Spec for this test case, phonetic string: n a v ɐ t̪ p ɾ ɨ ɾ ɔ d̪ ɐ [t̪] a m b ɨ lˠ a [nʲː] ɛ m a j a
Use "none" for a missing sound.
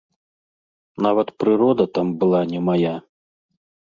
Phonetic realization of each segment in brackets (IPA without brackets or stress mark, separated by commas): t̪, nʲ